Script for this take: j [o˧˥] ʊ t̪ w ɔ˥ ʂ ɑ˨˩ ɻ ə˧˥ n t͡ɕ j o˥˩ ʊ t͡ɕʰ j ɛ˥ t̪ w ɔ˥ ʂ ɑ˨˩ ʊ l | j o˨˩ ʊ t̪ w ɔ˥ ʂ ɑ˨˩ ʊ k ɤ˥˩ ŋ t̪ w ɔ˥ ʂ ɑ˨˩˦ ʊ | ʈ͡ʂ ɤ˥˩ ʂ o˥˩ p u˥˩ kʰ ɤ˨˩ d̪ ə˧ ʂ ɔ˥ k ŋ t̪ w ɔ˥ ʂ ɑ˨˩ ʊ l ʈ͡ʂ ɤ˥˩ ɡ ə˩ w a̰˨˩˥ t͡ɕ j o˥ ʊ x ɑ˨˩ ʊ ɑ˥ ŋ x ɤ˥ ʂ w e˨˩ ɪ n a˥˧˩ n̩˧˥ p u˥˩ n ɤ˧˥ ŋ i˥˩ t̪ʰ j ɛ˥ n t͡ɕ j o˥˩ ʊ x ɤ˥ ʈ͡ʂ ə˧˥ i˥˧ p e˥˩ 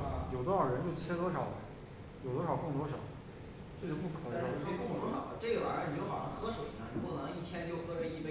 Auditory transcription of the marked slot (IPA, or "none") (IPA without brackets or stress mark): o˨˩